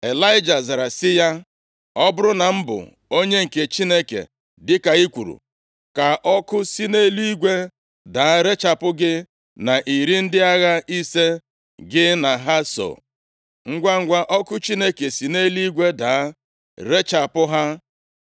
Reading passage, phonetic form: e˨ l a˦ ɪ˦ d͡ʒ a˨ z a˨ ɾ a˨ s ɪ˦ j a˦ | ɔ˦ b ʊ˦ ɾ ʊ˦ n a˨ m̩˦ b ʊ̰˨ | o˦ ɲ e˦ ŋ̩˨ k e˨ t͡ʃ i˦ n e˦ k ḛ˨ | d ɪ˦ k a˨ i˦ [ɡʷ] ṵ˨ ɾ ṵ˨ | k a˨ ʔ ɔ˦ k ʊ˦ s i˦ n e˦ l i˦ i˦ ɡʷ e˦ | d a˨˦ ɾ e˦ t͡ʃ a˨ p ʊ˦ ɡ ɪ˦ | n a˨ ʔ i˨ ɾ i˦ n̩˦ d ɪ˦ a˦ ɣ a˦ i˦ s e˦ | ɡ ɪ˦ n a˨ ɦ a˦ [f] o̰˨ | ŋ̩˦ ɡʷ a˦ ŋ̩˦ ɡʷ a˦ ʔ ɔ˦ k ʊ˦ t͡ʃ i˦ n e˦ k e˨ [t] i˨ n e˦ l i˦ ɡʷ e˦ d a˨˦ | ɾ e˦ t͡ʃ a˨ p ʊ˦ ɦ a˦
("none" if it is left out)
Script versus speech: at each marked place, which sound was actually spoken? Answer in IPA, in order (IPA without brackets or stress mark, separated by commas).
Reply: kʷ, s, s